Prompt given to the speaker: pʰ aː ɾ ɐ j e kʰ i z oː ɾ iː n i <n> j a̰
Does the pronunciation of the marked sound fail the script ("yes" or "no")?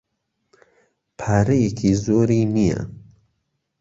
yes